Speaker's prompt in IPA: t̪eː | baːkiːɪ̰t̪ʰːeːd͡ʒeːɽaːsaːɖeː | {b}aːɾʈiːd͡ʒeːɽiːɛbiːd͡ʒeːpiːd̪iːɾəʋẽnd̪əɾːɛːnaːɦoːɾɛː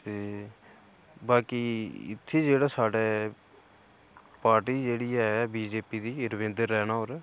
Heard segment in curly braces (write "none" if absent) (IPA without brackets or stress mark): p